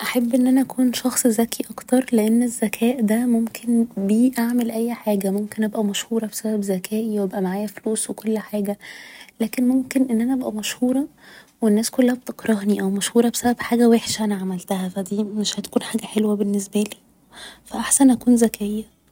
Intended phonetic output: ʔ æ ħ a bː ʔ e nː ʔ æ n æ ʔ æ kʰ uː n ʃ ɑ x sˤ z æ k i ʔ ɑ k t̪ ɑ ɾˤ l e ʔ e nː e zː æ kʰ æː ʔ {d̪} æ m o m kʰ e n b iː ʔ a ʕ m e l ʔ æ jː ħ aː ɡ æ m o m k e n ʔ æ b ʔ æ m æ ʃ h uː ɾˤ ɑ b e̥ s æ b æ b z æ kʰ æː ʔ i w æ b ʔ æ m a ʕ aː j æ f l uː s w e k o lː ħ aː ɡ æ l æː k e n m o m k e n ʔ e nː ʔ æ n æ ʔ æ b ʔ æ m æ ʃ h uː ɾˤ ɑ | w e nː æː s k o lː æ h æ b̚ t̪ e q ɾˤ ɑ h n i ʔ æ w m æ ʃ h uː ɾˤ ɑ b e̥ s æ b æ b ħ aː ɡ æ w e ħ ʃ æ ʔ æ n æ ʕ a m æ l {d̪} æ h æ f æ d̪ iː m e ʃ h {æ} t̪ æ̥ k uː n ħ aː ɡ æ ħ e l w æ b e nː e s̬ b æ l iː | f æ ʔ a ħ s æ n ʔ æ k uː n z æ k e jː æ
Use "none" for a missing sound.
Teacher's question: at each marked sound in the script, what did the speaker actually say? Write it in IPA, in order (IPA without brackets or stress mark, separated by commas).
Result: d̪, t̪, æ